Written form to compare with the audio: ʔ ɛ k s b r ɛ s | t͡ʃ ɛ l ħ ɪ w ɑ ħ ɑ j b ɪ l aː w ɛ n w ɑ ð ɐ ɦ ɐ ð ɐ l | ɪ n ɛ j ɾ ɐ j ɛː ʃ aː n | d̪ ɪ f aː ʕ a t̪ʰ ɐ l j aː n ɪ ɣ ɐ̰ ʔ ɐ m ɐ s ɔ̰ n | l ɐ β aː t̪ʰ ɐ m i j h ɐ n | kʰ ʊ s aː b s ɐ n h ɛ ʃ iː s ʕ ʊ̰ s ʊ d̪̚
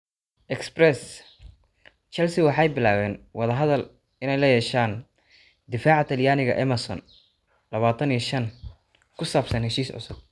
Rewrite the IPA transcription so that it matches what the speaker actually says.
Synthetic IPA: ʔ ɛ k s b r ɛ s | t͡ʃ ɛ l s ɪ w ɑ ħ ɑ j b ɪ l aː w ɛː n w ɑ ð ɐ ɦ ɐ ð ɐ l | ɪ n ɛ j l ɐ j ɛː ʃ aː n | d̪ ɪ f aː ʕ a t̪ʰ ɐ l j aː n ɪ ɣ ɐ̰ ʔ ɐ m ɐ s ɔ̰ n | l ɐ β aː t̪ʰ ɐ n i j ʃ ɐ n | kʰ ʊ s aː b s ɐ n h ɛ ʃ iː s ʕ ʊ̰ s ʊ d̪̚